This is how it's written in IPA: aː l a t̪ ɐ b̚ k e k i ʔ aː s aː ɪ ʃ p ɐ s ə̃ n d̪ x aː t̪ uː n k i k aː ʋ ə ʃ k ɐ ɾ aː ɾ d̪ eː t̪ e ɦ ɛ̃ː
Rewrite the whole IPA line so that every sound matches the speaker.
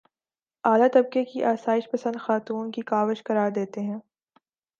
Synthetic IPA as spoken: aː l a t̪ ɐ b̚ k e k i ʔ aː s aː ɪ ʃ p ɐ s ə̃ n d̪ x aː t̪ uː n k i k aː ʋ ə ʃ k ɐ ɾ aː ɾ d̪ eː t̪ e ɦ ɛ̃ː